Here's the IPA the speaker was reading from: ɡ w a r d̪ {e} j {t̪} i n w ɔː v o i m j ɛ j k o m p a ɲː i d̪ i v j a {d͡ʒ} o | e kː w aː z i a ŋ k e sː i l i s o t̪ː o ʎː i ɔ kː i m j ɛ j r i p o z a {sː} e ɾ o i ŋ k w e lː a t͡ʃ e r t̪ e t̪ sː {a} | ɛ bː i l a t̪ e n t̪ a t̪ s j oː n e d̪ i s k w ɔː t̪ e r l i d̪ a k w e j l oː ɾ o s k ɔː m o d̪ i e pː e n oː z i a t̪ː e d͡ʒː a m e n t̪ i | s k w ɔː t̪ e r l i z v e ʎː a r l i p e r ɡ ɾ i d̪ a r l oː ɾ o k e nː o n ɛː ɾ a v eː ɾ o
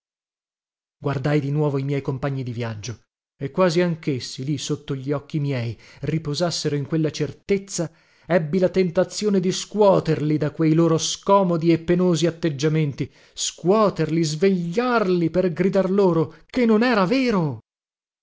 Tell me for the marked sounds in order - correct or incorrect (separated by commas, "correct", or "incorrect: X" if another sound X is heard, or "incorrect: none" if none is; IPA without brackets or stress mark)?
incorrect: a, incorrect: d̪, incorrect: d͡ʒː, correct, correct